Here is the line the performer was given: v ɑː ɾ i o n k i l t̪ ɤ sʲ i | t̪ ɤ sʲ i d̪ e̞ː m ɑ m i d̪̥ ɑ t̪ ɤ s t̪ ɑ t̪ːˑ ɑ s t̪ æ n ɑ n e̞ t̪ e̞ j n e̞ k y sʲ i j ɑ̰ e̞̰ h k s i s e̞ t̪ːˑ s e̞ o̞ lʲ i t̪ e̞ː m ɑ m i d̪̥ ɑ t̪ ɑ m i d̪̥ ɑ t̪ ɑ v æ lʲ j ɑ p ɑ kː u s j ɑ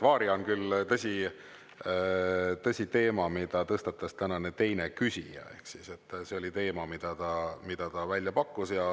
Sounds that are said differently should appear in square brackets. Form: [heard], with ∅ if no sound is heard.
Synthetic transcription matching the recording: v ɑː ɾ i o n k [y] l t̪ ɤ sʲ i | t̪ ɤ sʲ i [t̪] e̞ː m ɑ m i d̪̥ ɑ t̪ ɤ s t̪ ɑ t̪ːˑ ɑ s t̪ æ n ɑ n e̞ t̪ e̞ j n e̞ k y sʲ i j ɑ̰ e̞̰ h k s i s e̞ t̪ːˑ s e̞ o̞ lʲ i t̪ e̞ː m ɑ m i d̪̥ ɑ t̪ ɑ m i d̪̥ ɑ t̪ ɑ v æ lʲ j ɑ p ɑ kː u s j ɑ